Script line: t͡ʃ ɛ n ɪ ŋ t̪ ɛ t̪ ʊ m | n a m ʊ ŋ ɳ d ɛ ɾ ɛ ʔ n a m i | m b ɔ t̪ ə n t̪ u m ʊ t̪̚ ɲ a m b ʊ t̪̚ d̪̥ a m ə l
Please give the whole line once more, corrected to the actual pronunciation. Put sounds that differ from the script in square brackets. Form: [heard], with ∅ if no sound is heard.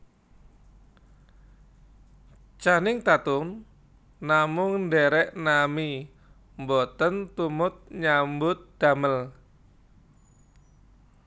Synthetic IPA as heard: t͡ʃ [a] n ɪ ŋ t̪ [a] t̪ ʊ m | n a m ʊ ŋ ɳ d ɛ ɾ ɛ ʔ n a m i | m b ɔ t̪ ə n t̪ u m ʊ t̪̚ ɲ a m b ʊ t̪̚ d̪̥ a m ə l

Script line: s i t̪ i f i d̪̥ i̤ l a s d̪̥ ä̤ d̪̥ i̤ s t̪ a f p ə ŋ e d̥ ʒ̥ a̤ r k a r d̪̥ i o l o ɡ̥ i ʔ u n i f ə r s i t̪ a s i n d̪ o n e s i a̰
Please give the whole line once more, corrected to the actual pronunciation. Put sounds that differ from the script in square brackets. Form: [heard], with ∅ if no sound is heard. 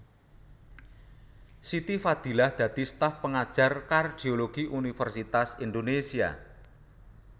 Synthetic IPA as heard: s i t̪ i f [a] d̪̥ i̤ l a [h] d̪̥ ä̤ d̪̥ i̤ s t̪ a f p ə ŋ [a] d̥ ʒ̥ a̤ r k a r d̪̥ i o l o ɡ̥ i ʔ u n i f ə r s i t̪ a s i n d̪ o n e s i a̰

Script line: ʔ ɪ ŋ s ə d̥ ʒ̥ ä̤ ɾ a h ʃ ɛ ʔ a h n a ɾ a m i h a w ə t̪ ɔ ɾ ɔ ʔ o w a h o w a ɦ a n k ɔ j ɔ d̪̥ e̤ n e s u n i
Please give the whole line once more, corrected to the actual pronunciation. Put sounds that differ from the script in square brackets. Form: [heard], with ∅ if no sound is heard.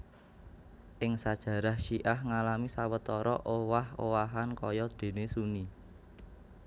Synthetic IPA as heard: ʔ ɪ ŋ s [a] d̥ ʒ̥ ä̤ ɾ a h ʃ [i] ʔ a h [ŋ] a [l] a m i [s] a w ə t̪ ɔ ɾ ɔ ʔ o w a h o w a ɦ a n k ɔ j ɔ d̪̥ e̤ n e s u n i

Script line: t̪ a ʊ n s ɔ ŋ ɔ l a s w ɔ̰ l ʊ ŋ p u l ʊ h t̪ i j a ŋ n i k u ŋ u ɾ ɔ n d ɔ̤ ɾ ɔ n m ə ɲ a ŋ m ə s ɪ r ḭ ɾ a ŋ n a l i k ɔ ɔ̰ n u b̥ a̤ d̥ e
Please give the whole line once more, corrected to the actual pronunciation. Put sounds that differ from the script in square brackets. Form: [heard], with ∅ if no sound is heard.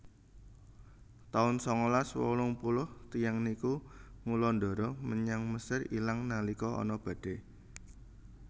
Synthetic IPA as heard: t̪ a ʊ n s ɔ ŋ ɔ l a s w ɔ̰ l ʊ ŋ p u l ʊ h t̪ i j a ŋ n i k u ŋ u [l] ɔ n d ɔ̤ ɾ ɔ [∅] m ə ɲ a ŋ m ə s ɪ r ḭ [l] a ŋ n a l i k ɔ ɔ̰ n [ɔ] b̥ a̤ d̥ e

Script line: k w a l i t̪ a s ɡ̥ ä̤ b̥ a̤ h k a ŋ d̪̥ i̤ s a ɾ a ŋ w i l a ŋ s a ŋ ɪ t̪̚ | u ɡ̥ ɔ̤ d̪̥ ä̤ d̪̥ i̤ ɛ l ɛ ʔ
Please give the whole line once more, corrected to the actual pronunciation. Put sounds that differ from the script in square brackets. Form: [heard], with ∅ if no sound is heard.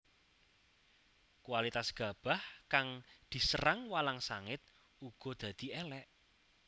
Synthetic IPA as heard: k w a l i t̪ a s ɡ̥ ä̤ b̥ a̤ h k a ŋ d̪̥ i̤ s [ə] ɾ a ŋ w [a] l a ŋ s a ŋ ɪ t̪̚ | u ɡ̥ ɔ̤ d̪̥ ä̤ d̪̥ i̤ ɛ l ɛ ʔ

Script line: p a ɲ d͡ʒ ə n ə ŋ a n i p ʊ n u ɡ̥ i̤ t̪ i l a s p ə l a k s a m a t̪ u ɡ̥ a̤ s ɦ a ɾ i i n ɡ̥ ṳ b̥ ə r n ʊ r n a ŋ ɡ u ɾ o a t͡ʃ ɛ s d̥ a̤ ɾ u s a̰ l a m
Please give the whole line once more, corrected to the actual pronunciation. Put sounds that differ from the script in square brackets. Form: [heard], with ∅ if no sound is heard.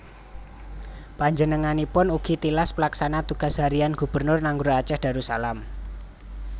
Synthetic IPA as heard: p a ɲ d͡ʒ ə n ə ŋ a n i p ʊ n u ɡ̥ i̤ t̪ i l a s p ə l a k s a [n] a t̪ u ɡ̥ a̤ s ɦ a ɾ i [a] n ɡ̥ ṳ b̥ ə r n ʊ r n a ŋ ɡ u ɾ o a t͡ʃ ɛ [h] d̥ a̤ ɾ u s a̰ l a m

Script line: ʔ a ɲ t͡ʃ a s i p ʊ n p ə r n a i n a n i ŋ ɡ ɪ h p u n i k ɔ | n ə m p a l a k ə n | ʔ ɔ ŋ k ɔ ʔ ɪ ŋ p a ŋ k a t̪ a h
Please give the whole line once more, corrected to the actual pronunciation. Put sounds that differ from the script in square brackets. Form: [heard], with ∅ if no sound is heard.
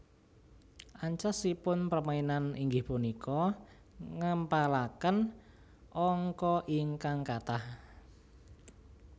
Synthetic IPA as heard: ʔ a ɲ t͡ʃ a s i p ʊ n p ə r [m] a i n a n i ŋ ɡ ɪ h p u n i k ɔ | [ŋ] ə m p a l a k ə n | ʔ ɔ ŋ k ɔ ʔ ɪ ŋ [k] a ŋ k a t̪ a h

